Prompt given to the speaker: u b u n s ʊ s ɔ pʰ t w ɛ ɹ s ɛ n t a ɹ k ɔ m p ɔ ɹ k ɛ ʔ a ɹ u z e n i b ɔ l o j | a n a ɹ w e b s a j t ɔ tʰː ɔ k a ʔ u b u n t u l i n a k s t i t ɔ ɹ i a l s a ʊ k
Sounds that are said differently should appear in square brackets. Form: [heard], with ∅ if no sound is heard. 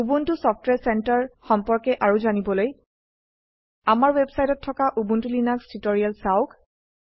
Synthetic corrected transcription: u b u n [t] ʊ s ɔ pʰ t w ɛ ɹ s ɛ n t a ɹ [x] ɔ m p ɔ ɹ k ɛ ʔ a ɹ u z [a] n i b ɔ l o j | a [m] a ɹ w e b s a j t ɔ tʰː ɔ k a ʔ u b u n t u l i n a k s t i t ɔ ɹ i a l s a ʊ k